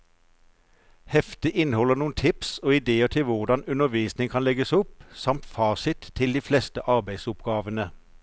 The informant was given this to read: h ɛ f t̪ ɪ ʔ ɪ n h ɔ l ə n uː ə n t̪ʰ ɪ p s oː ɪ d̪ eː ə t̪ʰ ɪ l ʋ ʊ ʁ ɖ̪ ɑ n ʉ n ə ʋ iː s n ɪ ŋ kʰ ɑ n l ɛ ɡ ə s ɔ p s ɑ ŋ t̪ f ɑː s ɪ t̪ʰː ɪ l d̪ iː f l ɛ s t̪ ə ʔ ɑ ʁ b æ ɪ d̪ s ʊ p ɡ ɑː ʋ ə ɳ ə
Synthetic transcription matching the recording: h ɛ f t̪ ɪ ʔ ɪ n h ɔ l ə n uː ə n t̪ʰ ɪ p s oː ɪ d̪ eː ə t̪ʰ ɪ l ʋ ʊ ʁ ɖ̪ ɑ n ʉ n ə ʋ iː s n ɪ ŋ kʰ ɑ n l ɛ ɡ ə s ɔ p s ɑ m t̪ f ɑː s ɪ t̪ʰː ɪ l d̪ iː f l ɛ s t̪ ə ʔ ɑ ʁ b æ ɪ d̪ s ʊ p ɡ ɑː ʋ ə n ə